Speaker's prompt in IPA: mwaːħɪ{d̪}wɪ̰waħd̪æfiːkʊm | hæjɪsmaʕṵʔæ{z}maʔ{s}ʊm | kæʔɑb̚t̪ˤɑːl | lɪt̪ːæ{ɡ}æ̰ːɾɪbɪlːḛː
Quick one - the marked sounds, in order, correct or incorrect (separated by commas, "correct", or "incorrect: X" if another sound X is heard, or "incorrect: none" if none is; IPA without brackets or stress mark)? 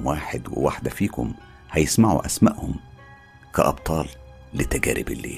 correct, incorrect: s, incorrect: h, correct